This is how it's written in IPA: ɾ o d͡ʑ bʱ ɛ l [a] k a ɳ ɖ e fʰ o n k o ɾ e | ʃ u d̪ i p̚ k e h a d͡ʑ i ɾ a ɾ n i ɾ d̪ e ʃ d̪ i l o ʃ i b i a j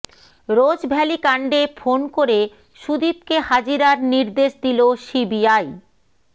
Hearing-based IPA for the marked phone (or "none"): i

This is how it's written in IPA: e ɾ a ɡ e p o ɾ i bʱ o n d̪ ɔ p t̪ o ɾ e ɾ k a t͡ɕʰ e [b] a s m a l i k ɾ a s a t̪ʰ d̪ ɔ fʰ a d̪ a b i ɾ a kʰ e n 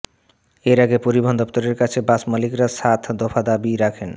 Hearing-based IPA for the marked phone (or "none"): b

